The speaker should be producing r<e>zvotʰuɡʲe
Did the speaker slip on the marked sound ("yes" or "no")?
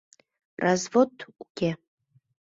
yes